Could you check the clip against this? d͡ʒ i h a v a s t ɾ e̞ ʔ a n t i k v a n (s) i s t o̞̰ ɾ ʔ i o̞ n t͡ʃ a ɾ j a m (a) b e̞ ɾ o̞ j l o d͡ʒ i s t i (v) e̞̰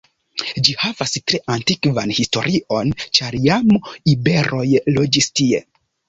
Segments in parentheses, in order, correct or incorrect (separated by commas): incorrect, incorrect, incorrect